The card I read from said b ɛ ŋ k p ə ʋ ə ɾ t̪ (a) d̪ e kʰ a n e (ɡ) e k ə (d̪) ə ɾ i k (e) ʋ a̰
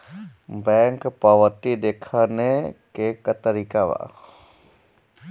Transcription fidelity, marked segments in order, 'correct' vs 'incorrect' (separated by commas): incorrect, incorrect, incorrect, incorrect